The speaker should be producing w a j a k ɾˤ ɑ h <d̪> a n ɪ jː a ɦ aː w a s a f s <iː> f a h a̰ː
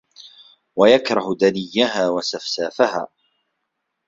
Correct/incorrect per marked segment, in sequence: correct, incorrect: aː

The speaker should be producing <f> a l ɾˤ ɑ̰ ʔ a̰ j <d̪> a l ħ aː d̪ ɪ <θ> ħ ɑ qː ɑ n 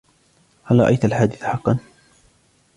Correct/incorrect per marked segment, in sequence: incorrect: h, incorrect: t̪, correct

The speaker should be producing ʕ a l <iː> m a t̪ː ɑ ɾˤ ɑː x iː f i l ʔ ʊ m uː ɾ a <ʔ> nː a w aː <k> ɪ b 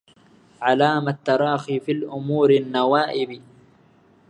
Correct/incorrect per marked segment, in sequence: incorrect: aː, incorrect: none, incorrect: ʔ

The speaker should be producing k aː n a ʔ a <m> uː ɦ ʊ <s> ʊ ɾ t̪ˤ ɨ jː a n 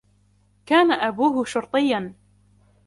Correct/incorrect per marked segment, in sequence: incorrect: b, incorrect: ʃ

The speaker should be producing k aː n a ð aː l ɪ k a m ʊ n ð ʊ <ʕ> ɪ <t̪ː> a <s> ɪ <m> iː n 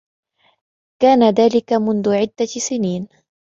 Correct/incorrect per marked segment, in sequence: correct, incorrect: d̪ː, correct, incorrect: n

